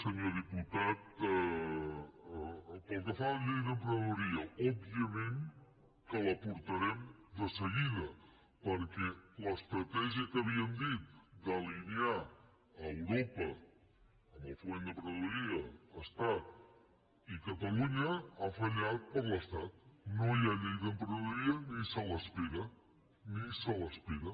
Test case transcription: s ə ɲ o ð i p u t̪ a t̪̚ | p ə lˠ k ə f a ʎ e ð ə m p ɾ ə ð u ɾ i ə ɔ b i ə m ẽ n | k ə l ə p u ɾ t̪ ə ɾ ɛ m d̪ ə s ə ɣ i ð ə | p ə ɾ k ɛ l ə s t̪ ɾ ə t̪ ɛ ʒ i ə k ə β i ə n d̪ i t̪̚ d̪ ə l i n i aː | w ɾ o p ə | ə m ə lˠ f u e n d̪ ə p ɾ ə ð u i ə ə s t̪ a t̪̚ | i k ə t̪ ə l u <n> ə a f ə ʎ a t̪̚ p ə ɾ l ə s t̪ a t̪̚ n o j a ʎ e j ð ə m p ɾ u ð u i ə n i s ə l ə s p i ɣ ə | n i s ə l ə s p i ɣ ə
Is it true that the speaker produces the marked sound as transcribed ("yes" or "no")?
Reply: no